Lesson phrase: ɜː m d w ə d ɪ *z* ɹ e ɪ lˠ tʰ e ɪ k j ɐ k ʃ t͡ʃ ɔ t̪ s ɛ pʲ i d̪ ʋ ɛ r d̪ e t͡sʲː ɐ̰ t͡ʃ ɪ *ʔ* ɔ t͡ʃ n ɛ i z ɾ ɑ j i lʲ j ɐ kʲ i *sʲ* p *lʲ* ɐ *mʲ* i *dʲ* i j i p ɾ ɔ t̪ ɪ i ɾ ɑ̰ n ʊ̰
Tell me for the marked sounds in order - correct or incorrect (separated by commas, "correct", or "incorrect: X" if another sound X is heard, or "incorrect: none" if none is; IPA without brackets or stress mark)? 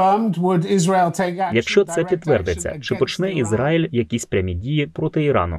correct, incorrect: p, correct, incorrect: ɾʲ, correct, correct